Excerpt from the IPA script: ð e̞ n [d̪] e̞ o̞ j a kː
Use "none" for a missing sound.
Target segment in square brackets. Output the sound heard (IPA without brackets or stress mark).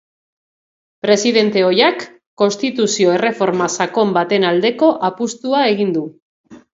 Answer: t̪